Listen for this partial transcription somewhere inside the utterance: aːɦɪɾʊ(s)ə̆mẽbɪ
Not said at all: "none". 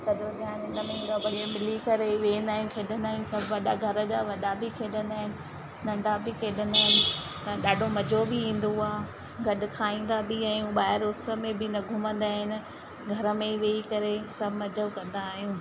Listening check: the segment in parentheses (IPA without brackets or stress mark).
s